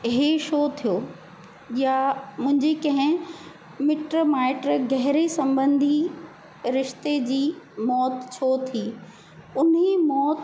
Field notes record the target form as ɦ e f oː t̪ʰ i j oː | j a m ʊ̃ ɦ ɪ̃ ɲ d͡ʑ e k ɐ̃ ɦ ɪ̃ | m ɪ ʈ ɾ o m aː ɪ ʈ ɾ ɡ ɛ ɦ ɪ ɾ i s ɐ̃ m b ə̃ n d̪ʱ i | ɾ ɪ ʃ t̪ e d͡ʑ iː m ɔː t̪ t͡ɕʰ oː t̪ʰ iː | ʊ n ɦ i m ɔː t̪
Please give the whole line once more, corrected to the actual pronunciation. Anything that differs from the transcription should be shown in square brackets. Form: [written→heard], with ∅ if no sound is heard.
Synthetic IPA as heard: ɦ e [f→ʃ] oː t̪ʰ i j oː | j a m ʊ̃ ɦ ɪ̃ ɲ d͡ʑ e k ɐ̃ ɦ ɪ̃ | m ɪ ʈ ɾ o m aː ɪ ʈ ɾ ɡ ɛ ɦ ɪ ɾ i s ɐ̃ m b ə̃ n d̪ʱ i | ɾ ɪ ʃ t̪ e d͡ʑ iː m ɔː t̪ t͡ɕʰ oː t̪ʰ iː | ʊ n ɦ i m ɔː t̪